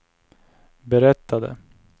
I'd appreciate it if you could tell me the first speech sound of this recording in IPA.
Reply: b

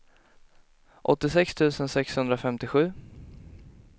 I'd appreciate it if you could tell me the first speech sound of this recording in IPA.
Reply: ʔ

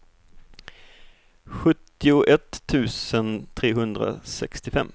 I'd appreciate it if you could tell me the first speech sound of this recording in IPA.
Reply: ɧ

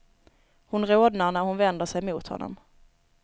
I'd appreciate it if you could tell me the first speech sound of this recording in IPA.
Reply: h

